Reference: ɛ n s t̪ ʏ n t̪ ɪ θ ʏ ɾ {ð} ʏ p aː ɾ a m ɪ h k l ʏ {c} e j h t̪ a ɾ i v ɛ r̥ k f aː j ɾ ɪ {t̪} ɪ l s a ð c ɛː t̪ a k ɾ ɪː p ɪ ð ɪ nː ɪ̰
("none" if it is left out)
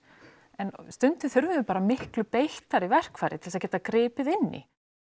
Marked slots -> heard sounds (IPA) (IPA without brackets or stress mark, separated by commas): v, p, t̪ʰ